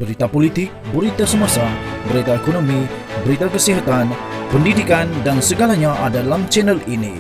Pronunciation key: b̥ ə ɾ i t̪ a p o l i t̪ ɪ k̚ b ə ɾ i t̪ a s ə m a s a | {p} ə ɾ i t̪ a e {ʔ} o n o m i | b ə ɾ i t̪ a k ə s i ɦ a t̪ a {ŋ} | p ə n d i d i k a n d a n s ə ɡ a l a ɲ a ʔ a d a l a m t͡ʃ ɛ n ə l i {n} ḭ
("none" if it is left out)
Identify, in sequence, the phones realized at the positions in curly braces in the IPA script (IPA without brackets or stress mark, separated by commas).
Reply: b, k, n, n